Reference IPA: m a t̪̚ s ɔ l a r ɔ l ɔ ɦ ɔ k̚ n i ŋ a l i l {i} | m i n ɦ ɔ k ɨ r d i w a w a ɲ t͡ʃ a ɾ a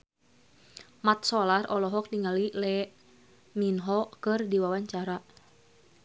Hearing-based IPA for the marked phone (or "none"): ɛ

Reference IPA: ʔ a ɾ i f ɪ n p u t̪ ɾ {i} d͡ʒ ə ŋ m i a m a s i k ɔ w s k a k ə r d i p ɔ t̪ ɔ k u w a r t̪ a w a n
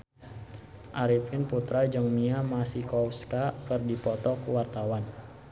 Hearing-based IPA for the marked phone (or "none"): a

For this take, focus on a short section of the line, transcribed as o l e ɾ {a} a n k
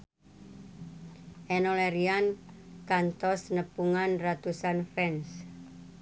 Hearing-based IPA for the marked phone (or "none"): i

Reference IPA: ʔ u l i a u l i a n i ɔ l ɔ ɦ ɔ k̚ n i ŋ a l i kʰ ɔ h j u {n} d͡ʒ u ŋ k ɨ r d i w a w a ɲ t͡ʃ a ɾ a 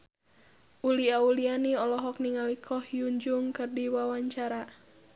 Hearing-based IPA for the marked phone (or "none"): ɲ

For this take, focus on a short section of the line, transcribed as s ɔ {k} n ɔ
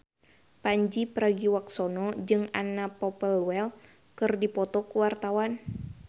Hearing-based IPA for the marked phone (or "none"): none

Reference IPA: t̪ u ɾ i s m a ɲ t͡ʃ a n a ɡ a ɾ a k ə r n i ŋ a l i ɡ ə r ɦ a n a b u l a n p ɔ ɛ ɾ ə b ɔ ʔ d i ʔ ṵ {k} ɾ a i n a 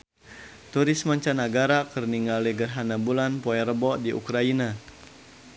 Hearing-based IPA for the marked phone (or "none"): k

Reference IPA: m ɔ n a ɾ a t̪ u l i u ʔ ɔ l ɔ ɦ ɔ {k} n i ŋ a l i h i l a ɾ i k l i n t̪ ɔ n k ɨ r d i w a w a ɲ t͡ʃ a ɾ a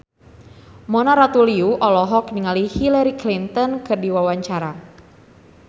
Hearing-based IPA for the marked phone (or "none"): k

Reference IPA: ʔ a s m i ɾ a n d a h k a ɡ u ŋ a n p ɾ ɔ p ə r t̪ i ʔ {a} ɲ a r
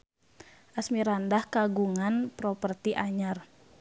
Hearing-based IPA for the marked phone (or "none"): a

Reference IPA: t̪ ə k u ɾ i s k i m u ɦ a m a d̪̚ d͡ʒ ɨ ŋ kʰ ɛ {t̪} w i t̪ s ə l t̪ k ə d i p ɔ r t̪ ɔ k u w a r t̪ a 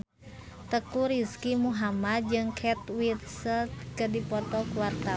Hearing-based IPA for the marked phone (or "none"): t̪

